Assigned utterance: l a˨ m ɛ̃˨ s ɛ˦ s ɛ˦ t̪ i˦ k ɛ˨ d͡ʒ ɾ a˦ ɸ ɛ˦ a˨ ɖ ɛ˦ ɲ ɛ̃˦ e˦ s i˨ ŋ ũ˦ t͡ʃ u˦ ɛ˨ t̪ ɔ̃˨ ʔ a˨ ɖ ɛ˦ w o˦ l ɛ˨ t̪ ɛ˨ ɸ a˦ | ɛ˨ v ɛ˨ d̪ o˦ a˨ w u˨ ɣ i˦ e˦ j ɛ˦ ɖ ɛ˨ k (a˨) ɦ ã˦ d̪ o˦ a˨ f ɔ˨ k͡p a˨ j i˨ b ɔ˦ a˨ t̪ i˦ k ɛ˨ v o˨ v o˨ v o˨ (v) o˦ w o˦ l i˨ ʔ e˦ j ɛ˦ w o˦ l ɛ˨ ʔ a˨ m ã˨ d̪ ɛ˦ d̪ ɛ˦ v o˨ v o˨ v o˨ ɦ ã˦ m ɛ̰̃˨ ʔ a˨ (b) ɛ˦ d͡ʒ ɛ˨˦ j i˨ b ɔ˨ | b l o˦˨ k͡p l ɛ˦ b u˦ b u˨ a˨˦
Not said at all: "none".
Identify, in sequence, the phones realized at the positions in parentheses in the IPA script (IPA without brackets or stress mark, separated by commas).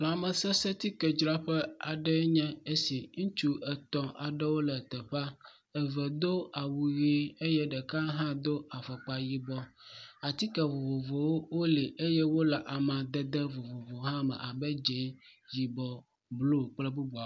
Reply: a˦, w, b